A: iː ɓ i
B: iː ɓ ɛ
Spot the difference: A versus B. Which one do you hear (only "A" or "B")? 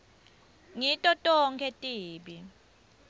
A